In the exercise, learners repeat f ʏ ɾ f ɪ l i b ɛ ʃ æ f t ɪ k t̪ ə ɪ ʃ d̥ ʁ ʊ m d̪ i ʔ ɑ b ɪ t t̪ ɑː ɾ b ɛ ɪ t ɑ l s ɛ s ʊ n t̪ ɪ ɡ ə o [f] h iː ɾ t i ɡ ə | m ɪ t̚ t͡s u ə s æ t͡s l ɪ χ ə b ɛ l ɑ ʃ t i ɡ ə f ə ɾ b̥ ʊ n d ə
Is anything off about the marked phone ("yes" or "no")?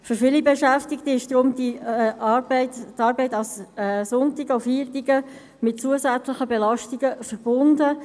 no